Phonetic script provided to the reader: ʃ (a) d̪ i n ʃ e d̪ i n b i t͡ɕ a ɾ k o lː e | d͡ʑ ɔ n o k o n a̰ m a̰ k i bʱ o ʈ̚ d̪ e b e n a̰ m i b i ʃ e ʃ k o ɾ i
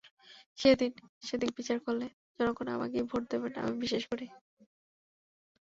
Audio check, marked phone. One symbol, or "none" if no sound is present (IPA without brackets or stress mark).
e